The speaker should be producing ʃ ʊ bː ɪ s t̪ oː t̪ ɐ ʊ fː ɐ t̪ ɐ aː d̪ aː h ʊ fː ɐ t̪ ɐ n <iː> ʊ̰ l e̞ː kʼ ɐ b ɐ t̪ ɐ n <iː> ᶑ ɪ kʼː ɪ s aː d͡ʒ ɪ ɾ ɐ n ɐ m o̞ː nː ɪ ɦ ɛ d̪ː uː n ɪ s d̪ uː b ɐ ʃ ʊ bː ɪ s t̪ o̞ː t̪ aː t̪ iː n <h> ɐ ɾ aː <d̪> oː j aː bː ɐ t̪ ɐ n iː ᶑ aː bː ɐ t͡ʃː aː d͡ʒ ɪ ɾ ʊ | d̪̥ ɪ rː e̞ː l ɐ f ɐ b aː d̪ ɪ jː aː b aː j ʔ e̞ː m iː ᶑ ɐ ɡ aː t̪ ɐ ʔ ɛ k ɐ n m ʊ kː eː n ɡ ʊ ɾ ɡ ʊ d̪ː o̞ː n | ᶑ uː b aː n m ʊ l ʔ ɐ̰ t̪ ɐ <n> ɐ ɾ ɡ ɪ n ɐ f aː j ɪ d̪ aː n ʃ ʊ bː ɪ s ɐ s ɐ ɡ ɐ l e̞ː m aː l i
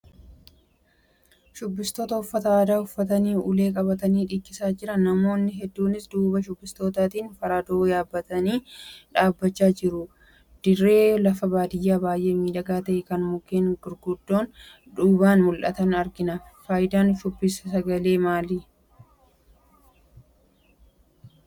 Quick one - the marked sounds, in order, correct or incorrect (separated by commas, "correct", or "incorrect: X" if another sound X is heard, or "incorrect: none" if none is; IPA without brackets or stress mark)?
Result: correct, correct, incorrect: f, correct, correct